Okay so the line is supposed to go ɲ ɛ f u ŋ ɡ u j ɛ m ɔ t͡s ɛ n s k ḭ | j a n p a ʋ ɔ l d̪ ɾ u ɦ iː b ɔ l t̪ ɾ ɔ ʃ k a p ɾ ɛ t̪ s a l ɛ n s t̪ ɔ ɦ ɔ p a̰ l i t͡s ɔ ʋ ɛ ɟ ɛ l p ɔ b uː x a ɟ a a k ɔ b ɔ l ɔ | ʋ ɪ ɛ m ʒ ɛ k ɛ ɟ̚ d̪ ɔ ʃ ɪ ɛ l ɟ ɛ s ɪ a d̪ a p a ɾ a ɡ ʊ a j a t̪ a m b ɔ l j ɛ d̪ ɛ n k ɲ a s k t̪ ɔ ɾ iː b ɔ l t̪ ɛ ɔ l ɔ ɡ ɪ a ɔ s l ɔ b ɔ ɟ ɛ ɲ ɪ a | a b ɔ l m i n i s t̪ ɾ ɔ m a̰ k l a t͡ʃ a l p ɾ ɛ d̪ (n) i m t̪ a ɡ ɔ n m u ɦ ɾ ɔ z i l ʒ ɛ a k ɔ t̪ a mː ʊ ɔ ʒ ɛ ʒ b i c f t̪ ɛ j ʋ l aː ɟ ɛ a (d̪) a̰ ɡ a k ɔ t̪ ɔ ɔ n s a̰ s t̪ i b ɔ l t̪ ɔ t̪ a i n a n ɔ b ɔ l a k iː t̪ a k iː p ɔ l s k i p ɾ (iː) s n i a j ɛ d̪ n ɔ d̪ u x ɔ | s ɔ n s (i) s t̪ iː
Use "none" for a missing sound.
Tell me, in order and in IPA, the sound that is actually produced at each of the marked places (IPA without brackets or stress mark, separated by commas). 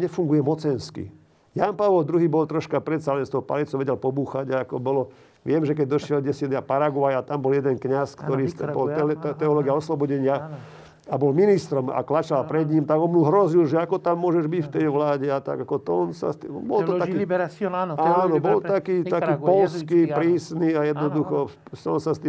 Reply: ɲ, t̪, iː, a